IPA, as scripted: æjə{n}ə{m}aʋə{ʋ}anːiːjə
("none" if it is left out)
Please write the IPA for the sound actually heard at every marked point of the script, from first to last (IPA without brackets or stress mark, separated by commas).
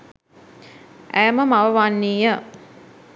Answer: m, m, ʋ